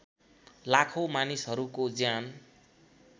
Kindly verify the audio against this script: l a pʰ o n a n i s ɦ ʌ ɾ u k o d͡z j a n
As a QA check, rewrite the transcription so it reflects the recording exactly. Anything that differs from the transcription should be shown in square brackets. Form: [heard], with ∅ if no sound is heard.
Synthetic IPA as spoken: l a [kʰ] o [m] a n i s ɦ ʌ ɾ u k o d͡z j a n